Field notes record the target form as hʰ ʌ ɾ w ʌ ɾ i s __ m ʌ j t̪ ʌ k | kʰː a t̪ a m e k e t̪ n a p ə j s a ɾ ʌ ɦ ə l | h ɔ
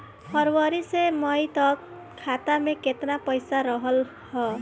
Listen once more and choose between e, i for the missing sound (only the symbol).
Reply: e